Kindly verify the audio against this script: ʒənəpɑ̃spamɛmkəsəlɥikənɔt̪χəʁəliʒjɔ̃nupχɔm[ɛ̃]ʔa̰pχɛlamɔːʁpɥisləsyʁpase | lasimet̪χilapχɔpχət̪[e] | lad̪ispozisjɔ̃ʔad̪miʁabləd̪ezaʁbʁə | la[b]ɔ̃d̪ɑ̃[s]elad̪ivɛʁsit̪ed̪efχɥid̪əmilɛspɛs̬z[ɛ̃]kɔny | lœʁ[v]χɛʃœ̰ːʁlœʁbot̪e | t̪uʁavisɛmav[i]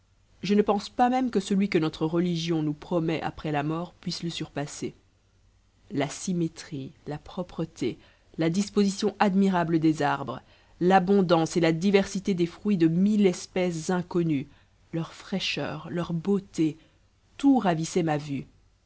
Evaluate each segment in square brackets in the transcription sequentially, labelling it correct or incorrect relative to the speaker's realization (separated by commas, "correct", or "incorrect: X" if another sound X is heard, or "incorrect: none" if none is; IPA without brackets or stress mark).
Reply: incorrect: ɛ, correct, correct, correct, correct, incorrect: f, incorrect: y